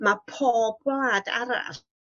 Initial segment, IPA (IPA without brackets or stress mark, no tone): m